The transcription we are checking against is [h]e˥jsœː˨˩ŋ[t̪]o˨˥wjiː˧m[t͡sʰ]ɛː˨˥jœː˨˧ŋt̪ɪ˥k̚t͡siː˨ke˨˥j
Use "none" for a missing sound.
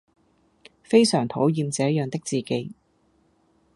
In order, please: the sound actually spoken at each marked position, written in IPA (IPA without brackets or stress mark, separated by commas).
f, t̪ʰ, t͡s